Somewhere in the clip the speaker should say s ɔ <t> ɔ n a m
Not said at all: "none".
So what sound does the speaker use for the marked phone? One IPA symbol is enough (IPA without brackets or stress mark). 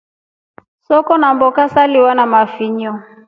k